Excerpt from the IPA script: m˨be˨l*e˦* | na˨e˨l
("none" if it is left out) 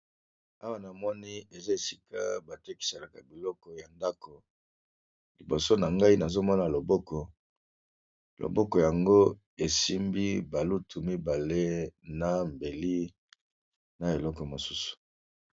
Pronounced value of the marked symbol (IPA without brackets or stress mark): i˦